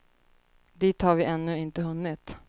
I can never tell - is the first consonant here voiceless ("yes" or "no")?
no